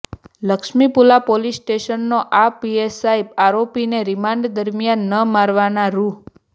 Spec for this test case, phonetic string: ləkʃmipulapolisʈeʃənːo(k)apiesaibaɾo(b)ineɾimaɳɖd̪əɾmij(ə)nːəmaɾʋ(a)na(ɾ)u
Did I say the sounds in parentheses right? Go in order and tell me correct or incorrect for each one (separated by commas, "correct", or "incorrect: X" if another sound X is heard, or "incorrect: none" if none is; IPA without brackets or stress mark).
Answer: incorrect: ʔ, incorrect: p, incorrect: a, correct, correct